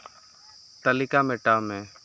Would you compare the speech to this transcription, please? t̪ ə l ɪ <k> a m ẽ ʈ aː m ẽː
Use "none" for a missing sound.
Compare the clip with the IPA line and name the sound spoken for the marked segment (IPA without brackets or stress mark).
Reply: k